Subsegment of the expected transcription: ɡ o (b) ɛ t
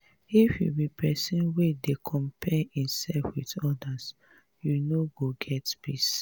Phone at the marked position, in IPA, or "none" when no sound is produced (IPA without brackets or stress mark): ɡ